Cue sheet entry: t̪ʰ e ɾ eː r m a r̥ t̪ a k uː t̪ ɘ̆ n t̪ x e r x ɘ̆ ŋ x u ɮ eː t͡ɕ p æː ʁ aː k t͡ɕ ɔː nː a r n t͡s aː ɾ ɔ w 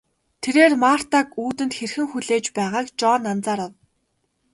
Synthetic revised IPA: t̪ʰ e ɾ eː r m a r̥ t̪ a k uː t̪ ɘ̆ n t̪ x e r x ɘ̆ ŋ x u ɮ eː t͡ɕ p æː ʁ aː k t͡ɕ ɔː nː a n t͡s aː ɾ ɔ w